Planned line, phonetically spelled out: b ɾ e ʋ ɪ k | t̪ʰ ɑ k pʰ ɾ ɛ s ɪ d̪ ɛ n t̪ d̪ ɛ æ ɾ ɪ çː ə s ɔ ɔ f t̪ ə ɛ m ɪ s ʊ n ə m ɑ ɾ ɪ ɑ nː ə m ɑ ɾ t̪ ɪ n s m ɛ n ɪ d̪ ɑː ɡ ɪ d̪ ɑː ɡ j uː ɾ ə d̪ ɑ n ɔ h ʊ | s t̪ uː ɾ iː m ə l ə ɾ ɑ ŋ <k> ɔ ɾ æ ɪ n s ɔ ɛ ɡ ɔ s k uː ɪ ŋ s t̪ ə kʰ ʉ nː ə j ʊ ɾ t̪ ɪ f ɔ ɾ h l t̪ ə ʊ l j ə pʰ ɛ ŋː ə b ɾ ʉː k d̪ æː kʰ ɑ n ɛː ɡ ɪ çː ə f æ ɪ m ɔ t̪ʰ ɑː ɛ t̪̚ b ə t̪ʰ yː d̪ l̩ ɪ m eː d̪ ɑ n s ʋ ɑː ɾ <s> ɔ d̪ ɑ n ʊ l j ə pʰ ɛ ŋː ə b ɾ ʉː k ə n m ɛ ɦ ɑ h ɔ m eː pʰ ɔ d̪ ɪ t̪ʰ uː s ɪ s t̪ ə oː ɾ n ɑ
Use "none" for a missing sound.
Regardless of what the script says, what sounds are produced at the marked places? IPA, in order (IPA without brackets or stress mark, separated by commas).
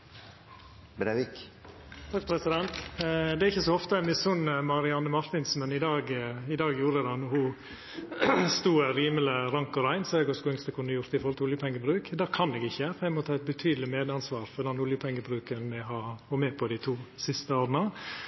k, f